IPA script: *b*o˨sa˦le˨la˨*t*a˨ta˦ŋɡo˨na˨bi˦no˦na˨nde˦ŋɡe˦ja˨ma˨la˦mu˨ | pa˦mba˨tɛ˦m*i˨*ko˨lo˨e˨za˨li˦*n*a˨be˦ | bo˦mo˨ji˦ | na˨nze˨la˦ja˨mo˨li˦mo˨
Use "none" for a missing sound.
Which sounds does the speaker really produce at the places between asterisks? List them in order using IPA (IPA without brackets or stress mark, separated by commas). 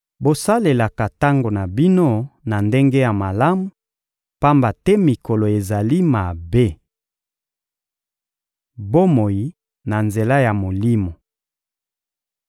b, k, i˨, m